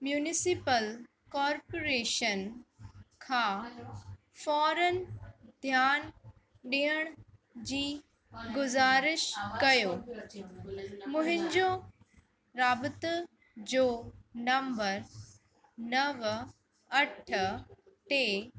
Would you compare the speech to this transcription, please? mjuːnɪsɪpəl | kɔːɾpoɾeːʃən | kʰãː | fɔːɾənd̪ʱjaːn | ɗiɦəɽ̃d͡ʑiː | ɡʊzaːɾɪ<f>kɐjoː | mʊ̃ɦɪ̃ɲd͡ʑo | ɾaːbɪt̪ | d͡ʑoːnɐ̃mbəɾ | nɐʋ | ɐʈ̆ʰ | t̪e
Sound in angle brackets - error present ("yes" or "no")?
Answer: yes